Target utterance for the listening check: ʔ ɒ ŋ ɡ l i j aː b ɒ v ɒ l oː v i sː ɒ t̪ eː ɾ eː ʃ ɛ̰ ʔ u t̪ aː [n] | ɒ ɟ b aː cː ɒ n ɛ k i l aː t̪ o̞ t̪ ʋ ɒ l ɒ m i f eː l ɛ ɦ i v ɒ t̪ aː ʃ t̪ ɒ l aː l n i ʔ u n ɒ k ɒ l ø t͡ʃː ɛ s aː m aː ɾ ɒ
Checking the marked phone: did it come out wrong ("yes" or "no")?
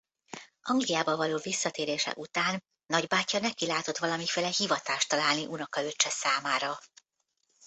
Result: yes